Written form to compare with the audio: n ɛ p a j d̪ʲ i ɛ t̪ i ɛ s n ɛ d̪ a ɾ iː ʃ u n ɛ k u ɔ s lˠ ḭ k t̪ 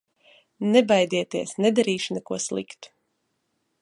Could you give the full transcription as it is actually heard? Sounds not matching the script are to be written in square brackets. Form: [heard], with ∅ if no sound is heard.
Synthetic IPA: n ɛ [b] a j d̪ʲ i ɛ t̪ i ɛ s n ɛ d̪ a ɾ iː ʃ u n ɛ k u ɔ s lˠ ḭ k t̪

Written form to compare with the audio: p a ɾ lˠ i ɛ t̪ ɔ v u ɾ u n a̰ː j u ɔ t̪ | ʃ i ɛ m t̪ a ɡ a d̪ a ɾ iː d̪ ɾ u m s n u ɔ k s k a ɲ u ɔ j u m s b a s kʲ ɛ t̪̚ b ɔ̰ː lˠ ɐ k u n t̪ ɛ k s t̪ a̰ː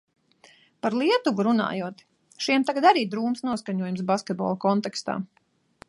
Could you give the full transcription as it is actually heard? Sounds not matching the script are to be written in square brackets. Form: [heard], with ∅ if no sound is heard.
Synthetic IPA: p a ɾ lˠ i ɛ t̪ [u] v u ɾ u n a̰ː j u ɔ t̪ | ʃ i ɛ m t̪ a ɡ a d̪ a ɾ iː d̪ ɾ [uː] m s n u ɔ [∅] s k a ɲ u ɔ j u m s b a s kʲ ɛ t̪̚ b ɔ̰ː lˠ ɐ k [ɔ] n t̪ ɛ k s t̪ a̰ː

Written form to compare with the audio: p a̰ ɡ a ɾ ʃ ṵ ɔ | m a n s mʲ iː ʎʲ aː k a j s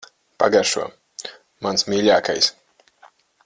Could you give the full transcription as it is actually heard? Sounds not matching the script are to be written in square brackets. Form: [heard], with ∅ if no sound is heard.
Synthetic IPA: p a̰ ɡ a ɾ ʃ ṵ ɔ | m a n s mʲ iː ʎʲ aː k a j s

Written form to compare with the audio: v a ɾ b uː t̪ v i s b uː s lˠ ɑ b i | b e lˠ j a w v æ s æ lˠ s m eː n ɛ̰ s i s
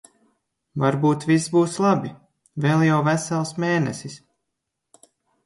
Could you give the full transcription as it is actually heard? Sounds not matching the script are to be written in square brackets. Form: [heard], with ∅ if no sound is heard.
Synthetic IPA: v a ɾ b uː t̪ v i s b uː s lˠ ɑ b i | [v] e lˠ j a w v æ s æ lˠ s m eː n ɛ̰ s i s

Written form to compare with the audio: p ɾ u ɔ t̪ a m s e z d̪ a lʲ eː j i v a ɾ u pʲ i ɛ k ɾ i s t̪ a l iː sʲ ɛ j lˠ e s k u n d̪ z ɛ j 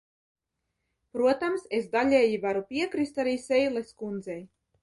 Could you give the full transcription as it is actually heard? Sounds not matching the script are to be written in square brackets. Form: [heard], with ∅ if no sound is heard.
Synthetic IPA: p ɾ u ɔ t̪ a m s e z d̪ a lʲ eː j i v a ɾ u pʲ i ɛ k ɾ i s t̪ a [ɾ] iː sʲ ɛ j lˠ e s k u n d̪ z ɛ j

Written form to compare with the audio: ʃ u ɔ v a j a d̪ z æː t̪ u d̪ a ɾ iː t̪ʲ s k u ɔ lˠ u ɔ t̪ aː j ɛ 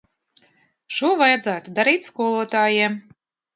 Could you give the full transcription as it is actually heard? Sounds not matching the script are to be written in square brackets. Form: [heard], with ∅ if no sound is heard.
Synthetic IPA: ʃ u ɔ v a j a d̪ z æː t̪ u d̪ a ɾ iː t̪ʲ s k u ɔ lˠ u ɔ t̪ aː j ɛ

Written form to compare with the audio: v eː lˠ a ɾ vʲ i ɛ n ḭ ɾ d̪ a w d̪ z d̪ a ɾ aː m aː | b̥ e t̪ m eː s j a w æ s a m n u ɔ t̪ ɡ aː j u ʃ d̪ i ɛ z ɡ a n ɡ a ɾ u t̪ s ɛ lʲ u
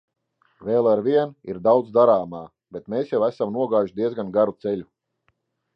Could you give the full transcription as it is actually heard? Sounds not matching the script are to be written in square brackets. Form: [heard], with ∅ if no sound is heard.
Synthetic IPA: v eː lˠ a ɾ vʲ i ɛ n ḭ ɾ d̪ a w d̪ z d̪ a ɾ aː m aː | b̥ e t̪ m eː s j a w æ s a m n u ɔ [∅] ɡ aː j u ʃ d̪ i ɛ z ɡ a n ɡ a ɾ u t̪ s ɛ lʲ u

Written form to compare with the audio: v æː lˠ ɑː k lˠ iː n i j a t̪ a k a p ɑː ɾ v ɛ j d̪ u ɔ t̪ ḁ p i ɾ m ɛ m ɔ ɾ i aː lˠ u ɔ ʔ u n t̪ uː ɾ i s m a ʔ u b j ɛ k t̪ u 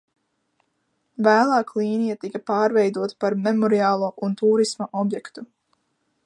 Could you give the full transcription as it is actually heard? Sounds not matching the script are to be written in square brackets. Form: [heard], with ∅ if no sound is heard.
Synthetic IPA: v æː lˠ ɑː k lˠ iː n i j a t̪ [i] k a p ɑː ɾ v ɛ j d̪ u ɔ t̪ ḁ p [a] ɾ m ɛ m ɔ ɾ i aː lˠ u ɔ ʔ u n t̪ uː ɾ i s m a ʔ [ɔ] b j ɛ k t̪ u

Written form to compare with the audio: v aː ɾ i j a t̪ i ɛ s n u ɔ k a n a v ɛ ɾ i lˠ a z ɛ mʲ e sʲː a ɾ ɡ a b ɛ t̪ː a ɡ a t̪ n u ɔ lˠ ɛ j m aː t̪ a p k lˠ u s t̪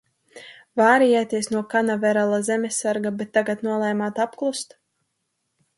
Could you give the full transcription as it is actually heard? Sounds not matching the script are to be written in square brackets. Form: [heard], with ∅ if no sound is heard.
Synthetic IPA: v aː ɾ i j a t̪ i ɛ s n u ɔ k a n a v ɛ ɾ [a] lˠ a z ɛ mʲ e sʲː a ɾ ɡ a b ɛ t̪ː a ɡ a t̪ n u ɔ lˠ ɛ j m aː t̪ a p k lˠ u s t̪

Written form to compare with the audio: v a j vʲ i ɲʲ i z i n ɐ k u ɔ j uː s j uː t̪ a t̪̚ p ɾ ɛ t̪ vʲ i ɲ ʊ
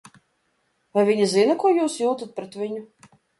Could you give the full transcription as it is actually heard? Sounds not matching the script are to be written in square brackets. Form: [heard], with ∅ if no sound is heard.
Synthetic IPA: v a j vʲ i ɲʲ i z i n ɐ k u ɔ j uː s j uː t̪ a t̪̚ p ɾ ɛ t̪ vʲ i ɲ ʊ

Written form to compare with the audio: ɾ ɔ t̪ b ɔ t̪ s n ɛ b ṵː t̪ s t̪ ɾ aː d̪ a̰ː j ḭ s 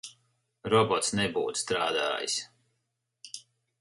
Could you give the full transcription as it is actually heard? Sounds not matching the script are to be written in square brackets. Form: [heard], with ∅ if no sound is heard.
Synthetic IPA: ɾ ɔ [∅] b ɔ t̪ s n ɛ b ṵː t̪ s t̪ ɾ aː d̪ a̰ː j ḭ s

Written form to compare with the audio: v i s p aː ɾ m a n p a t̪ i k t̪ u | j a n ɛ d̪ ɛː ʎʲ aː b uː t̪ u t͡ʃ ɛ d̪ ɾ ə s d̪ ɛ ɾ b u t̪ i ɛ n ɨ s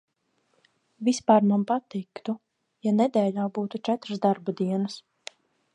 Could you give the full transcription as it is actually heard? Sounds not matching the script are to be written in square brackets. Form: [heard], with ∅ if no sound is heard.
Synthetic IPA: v i s p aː ɾ m a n p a t̪ i k t̪ u | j a n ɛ d̪ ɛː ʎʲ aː b uː t̪ u t͡ʃ ɛ [t̪] ɾ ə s d̪ [a] ɾ b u [d̪] i ɛ n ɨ s

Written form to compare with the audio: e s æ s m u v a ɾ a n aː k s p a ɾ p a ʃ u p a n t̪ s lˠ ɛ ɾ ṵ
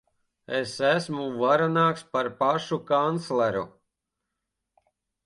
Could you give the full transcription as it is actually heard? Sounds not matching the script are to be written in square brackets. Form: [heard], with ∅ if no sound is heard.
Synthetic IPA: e s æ s m u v a ɾ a n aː k s p a ɾ p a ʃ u [k] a n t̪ s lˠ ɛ ɾ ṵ

